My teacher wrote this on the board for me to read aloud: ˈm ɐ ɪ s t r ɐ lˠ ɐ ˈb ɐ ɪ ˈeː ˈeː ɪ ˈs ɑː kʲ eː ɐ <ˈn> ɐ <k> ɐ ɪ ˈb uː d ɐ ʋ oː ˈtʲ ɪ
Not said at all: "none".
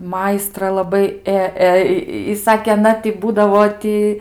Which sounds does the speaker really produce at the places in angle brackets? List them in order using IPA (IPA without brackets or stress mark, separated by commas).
n, t